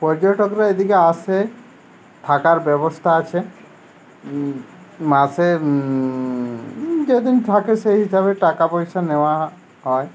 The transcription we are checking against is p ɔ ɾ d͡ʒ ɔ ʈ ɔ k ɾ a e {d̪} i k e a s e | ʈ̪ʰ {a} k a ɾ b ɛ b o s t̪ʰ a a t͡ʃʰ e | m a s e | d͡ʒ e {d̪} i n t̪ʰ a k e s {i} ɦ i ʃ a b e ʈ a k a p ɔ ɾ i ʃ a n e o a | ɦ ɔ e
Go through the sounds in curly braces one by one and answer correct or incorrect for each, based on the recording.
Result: correct, correct, correct, incorrect

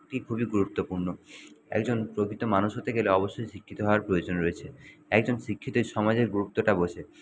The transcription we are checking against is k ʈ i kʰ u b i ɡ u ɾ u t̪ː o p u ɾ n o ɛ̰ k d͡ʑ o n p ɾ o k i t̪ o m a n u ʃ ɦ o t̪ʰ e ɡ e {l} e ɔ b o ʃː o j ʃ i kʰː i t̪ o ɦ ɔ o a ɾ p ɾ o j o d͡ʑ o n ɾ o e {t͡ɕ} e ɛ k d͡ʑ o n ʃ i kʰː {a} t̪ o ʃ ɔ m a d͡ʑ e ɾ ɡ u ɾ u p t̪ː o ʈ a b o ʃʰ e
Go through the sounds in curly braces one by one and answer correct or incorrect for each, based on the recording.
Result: correct, incorrect, incorrect

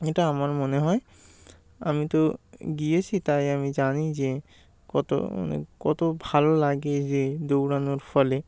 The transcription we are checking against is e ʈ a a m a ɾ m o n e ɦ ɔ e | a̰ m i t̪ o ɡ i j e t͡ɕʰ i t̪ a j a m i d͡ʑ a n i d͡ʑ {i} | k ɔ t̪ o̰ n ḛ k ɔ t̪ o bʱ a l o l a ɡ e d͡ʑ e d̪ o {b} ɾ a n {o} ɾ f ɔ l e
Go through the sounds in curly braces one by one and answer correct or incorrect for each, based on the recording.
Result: incorrect, incorrect, correct

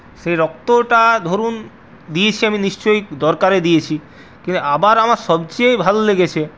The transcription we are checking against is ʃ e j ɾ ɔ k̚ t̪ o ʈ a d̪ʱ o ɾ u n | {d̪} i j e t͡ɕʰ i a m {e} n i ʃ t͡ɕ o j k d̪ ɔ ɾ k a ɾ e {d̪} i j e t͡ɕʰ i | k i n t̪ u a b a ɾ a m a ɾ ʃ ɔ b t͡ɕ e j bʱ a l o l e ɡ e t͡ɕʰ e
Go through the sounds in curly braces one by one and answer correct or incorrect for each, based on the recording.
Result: correct, incorrect, correct

